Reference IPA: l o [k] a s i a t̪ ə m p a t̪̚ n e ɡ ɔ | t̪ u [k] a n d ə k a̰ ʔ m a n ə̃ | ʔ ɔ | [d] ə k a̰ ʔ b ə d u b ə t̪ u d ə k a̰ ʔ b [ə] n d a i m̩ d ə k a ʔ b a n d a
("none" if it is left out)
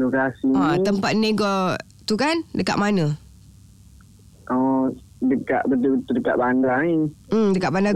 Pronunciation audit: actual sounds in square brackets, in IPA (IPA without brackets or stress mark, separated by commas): k, k, d, a